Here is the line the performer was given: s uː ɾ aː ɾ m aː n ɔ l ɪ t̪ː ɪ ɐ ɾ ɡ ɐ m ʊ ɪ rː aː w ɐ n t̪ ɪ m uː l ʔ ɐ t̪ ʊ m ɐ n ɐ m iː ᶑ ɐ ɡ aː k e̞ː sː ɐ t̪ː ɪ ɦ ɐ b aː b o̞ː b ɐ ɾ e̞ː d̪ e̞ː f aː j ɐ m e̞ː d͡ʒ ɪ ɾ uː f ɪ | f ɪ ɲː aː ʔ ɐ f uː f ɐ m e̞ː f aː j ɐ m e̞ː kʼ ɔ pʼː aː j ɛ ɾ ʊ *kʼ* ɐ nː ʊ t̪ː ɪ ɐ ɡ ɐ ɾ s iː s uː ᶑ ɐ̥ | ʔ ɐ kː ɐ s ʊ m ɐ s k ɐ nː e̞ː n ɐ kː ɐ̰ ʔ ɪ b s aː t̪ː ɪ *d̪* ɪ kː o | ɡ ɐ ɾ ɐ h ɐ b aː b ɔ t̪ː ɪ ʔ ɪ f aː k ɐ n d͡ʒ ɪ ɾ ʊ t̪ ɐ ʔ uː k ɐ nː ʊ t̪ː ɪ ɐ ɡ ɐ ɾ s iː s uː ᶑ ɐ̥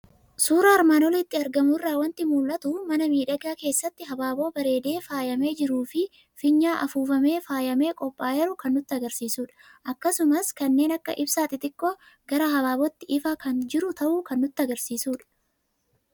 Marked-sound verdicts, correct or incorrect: incorrect: k, incorrect: t̪

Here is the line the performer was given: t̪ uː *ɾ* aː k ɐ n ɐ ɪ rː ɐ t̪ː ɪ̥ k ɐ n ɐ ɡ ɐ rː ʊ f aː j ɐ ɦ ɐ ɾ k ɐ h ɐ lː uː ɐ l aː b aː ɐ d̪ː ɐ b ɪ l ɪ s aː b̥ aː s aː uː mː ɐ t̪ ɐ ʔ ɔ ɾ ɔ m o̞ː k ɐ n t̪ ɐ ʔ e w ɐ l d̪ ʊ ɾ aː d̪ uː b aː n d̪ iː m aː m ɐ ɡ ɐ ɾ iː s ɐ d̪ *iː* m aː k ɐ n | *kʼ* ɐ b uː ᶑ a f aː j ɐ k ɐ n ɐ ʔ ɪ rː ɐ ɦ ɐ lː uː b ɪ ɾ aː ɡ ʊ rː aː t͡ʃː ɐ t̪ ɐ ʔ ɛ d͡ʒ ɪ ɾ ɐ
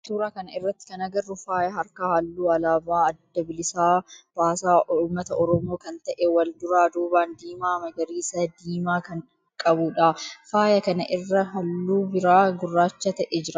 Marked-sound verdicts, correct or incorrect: correct, correct, correct

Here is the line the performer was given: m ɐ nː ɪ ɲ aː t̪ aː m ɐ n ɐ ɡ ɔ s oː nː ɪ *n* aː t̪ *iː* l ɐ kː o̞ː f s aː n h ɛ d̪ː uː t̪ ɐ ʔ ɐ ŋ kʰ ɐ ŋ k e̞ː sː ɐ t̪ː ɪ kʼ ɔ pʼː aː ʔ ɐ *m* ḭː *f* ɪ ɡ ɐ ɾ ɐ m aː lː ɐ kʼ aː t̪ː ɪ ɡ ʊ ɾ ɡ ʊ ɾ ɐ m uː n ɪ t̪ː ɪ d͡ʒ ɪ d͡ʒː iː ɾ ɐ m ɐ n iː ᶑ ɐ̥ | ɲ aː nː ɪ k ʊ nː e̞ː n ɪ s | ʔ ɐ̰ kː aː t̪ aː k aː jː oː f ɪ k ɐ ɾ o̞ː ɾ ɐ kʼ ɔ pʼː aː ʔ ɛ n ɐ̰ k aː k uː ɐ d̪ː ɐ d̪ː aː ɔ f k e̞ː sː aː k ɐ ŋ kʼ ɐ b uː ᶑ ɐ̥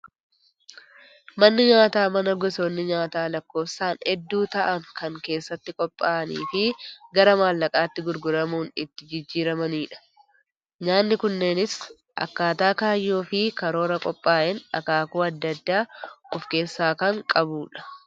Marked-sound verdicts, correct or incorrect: incorrect: ɲ, incorrect: aː, incorrect: n, correct

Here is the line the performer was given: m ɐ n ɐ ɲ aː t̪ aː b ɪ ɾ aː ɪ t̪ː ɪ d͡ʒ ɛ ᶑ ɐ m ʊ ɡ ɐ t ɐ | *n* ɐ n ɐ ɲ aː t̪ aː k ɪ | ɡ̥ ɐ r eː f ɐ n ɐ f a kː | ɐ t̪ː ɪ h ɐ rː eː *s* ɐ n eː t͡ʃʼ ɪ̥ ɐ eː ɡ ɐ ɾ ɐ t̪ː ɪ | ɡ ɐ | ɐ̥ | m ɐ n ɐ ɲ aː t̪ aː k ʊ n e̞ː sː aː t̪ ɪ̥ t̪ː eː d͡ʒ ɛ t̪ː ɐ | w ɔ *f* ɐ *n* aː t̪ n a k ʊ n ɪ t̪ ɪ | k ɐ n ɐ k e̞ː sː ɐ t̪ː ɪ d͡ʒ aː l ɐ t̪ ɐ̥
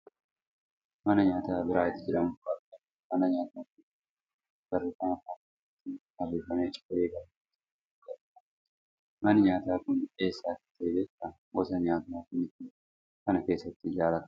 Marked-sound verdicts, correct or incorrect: incorrect: m, incorrect: f, incorrect: s, incorrect: ɲ

